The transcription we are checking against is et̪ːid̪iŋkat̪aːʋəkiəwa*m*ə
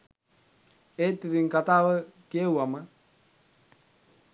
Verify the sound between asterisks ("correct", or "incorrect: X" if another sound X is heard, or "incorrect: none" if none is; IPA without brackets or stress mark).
correct